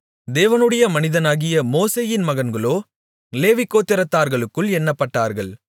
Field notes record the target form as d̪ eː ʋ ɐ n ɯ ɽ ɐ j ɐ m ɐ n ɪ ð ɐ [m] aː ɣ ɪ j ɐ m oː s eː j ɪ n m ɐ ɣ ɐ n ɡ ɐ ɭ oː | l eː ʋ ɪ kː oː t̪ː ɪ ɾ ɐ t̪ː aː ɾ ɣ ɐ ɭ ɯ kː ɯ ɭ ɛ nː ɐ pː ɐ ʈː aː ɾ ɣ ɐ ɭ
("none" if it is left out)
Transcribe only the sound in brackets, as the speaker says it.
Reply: n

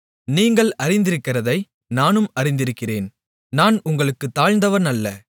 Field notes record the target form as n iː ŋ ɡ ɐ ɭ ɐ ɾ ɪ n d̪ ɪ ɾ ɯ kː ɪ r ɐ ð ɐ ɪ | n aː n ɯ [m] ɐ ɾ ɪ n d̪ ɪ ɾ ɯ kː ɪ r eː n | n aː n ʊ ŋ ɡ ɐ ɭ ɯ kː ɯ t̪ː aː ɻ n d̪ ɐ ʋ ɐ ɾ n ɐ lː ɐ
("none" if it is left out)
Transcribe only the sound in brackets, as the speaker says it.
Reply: m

